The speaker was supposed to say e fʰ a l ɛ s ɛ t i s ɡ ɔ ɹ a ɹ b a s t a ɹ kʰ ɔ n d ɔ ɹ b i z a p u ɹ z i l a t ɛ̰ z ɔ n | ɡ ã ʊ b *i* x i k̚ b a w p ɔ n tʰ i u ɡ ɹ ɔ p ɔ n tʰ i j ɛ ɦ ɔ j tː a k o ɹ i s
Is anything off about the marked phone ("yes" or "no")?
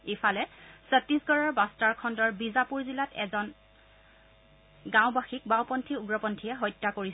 yes